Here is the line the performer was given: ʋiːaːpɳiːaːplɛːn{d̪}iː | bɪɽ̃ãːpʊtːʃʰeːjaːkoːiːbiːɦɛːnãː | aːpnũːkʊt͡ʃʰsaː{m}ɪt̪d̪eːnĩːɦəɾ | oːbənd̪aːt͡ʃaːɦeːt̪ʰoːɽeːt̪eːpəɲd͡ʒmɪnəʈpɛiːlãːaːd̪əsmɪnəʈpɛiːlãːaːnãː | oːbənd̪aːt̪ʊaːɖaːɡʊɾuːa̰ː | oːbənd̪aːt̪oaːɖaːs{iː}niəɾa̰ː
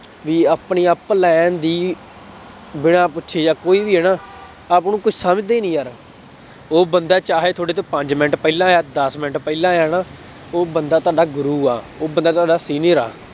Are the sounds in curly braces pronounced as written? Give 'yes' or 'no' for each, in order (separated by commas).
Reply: yes, yes, yes